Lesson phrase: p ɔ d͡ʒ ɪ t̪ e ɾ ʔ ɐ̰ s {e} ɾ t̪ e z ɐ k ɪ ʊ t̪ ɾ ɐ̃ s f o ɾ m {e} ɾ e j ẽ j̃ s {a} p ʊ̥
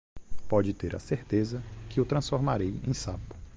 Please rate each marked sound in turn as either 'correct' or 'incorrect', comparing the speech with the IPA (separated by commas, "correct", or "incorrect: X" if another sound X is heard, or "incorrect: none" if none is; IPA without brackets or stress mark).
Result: correct, incorrect: a, correct